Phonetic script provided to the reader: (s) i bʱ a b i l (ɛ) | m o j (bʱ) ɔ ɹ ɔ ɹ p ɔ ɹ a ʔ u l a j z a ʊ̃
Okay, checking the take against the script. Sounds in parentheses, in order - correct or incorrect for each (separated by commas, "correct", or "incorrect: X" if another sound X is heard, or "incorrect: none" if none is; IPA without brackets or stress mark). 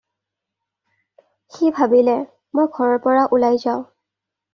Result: incorrect: x, correct, incorrect: ɡʱ